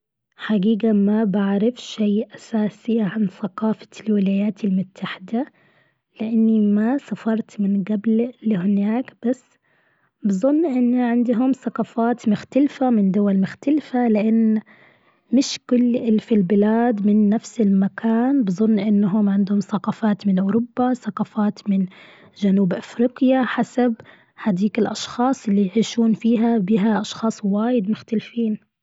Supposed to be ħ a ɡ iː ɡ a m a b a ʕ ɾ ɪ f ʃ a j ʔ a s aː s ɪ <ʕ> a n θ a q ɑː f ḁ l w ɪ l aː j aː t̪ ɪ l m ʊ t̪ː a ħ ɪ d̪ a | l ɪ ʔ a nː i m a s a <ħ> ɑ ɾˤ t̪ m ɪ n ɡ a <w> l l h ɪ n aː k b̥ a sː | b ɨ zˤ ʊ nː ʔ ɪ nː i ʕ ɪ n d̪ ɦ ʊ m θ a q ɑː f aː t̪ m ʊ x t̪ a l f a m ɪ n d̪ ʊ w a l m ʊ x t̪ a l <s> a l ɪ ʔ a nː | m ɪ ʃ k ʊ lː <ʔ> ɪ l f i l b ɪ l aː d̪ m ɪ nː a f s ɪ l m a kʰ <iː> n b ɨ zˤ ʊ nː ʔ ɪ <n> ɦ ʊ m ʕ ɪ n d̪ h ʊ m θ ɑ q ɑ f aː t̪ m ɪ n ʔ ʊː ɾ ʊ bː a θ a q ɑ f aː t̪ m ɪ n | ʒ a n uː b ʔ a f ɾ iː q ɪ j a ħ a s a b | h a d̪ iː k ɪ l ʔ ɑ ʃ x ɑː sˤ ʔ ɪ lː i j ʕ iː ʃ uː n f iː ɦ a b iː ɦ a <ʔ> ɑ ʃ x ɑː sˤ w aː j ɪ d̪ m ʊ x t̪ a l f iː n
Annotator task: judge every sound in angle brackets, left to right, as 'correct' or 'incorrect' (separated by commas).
correct, incorrect, incorrect, incorrect, correct, incorrect, incorrect, correct